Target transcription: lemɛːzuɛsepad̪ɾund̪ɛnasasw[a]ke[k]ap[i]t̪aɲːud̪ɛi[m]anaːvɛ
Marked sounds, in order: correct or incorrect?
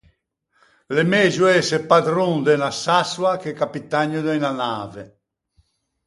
correct, correct, correct, incorrect

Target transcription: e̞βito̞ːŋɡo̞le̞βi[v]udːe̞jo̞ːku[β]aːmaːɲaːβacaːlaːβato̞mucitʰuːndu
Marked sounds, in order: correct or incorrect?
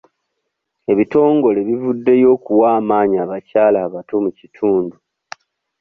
correct, incorrect

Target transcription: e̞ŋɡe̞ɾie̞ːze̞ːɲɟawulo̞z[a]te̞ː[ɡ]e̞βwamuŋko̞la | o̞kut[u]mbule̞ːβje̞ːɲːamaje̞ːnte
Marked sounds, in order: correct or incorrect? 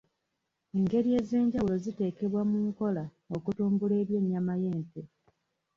incorrect, incorrect, incorrect

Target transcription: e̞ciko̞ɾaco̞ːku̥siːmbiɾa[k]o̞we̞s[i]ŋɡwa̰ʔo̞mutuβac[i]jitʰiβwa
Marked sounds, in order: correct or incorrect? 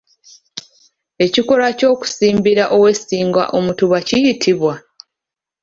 incorrect, incorrect, correct

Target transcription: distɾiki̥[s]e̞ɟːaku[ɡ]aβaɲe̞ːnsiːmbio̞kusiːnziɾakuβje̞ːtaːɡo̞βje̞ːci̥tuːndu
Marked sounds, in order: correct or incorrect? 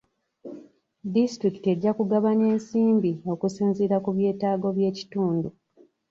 incorrect, correct

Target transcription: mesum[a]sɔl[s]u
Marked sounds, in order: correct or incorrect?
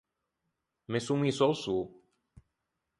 incorrect, correct

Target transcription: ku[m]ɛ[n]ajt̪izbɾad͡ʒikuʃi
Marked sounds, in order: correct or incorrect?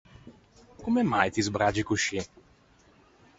correct, incorrect

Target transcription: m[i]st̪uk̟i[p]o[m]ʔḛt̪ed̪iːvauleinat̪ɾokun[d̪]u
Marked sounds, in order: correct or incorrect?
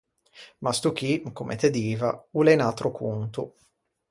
incorrect, incorrect, correct, incorrect

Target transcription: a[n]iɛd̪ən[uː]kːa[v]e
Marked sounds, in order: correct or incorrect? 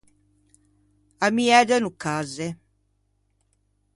incorrect, incorrect, incorrect

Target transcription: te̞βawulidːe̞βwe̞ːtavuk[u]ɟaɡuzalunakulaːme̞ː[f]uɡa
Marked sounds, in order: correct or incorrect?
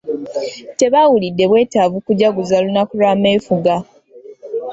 correct, correct

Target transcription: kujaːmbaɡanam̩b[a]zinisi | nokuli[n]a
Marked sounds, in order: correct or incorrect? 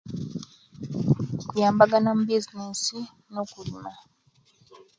incorrect, incorrect

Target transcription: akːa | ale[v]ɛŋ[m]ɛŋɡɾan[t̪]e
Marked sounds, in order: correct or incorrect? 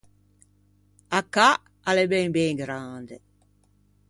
incorrect, incorrect, incorrect

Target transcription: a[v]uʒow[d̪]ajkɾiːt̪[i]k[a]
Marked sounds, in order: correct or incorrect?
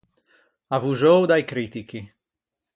correct, correct, correct, incorrect

